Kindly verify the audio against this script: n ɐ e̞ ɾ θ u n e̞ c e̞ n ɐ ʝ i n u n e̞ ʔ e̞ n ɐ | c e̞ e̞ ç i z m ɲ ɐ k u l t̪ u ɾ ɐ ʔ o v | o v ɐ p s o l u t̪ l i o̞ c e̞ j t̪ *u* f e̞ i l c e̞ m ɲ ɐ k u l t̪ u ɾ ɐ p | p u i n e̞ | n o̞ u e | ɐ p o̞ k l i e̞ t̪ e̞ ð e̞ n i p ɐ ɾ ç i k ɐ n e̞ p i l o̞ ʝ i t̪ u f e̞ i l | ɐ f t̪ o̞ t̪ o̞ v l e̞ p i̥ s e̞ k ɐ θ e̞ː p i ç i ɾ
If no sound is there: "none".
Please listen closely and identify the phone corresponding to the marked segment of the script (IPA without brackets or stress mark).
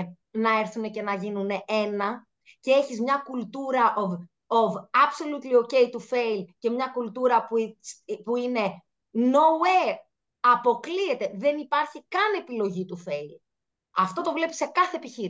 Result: u